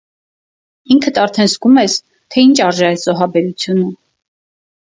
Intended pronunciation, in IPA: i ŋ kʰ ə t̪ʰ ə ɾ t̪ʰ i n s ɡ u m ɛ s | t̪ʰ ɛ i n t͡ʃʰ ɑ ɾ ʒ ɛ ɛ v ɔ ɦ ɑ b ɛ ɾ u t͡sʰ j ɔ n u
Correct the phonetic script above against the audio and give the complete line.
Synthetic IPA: i ŋ kʰ ə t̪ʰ ɑ ɾ t̪ʰ ɛ n z ɡ u m ɛ s | t̪ʰ ɛ i n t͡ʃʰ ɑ ɾ ʒ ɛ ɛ z ɔ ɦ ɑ b ɛ ɾ u t͡sʰ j u n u